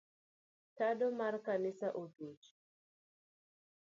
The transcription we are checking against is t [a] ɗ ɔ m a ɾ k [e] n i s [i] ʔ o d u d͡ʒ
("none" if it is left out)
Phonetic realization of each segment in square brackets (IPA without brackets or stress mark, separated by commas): a, a, a